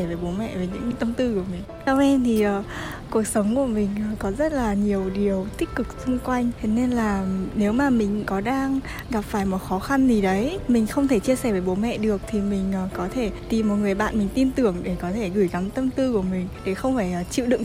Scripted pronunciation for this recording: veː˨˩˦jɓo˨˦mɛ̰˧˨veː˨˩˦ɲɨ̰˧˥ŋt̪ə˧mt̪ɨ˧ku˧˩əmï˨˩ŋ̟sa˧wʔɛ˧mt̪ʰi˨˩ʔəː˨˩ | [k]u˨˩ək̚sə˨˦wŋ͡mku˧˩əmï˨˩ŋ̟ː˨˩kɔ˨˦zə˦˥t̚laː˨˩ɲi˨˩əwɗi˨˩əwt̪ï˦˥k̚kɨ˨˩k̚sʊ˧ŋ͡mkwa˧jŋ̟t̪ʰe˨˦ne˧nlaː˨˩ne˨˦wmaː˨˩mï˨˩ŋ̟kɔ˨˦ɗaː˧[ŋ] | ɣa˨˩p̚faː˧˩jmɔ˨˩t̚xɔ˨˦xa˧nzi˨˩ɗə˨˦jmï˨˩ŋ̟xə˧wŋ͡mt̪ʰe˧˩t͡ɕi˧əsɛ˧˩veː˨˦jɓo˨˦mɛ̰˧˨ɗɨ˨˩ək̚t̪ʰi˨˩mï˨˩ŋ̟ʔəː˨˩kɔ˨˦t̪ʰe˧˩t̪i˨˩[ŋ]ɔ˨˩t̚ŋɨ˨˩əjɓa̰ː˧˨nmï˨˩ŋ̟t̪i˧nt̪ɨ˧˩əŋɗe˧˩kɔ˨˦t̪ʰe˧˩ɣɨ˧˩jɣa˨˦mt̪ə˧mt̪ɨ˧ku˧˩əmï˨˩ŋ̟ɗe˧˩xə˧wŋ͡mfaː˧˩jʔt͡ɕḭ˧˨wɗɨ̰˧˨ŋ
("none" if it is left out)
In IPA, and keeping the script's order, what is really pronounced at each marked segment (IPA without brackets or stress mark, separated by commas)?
k, ŋ, m